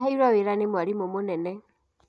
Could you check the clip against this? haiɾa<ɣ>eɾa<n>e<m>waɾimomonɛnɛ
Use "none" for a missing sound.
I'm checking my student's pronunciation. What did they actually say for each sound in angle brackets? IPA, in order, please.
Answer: w, n, m

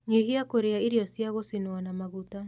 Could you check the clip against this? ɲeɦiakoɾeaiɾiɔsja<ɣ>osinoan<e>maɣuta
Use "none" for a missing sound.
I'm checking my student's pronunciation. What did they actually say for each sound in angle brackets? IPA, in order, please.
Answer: ɣ, a

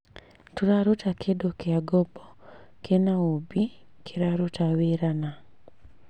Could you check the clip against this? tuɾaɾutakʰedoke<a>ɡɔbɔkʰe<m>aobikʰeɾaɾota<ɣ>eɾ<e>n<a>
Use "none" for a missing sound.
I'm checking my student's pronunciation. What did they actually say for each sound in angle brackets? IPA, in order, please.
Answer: a, n, w, a, a

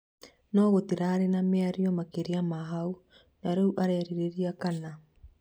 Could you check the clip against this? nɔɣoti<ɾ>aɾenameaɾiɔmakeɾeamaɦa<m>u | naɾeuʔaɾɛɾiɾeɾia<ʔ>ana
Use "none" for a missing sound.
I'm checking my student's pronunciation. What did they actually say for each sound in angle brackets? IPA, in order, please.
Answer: ɾ, none, k

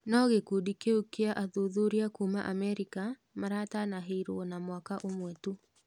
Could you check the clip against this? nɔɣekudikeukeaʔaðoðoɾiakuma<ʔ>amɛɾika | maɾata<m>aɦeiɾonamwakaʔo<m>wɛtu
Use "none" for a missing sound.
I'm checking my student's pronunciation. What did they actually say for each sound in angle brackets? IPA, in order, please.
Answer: ʔ, n, m

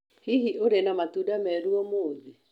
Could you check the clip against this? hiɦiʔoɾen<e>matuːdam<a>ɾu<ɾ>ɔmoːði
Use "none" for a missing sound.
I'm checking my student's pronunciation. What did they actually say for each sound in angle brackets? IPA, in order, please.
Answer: a, ɛ, none

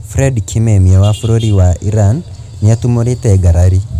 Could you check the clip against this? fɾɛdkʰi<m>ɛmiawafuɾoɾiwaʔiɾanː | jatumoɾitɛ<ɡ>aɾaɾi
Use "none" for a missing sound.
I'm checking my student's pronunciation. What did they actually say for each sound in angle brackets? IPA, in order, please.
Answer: m, ɡ

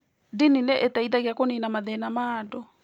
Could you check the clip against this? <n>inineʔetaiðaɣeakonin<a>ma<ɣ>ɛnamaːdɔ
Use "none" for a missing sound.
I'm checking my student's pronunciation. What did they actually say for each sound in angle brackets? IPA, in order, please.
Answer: d, a, ð

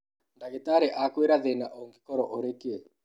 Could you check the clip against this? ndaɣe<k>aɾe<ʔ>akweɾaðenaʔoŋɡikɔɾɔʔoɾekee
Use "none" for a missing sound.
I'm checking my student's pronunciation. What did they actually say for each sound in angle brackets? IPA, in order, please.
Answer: t, ʔ

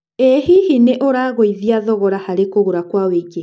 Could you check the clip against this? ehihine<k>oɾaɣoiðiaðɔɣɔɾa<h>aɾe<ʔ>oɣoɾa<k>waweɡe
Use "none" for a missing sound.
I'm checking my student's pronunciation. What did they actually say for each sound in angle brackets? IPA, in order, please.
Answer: ʔ, h, k, k

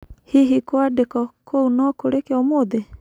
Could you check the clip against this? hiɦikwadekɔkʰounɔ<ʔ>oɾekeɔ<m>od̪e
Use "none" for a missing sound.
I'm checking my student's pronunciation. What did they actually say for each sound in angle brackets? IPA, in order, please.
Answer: k, m

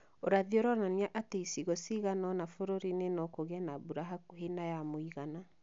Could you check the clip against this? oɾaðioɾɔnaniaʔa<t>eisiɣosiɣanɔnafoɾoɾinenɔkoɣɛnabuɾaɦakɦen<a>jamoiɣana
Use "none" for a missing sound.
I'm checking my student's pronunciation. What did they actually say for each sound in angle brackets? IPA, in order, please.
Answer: t, a

